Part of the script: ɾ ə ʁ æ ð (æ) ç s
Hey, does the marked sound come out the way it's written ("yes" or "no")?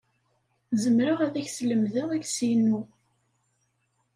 yes